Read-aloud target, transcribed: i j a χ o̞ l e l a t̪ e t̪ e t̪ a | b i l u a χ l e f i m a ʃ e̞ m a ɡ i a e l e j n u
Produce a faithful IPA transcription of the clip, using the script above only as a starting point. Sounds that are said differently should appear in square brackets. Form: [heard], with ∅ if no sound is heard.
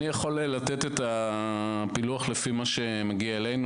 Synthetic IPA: i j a χ o̞ l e l a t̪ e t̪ e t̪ a | [p] i l u a χ l e f i m a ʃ e̞ m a ɡ i a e l e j n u